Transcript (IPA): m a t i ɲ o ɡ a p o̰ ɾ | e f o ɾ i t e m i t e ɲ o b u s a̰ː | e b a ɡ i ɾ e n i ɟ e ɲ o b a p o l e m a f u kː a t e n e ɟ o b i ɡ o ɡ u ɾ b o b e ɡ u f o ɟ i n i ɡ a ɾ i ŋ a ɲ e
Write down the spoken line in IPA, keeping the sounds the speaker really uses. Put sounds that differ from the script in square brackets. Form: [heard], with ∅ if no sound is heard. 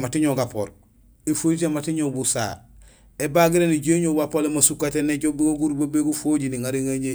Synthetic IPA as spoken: m a t i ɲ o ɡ a p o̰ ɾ | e f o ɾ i t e m [a] t [i] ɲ o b u s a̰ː | e b a ɡ i ɾ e n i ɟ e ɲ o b a p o l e m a [s] u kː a t e n e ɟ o b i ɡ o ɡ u ɾ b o b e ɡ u f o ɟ i n i [ŋ] a ɾ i ŋ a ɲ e